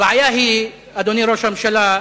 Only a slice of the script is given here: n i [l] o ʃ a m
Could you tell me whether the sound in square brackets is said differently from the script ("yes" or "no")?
yes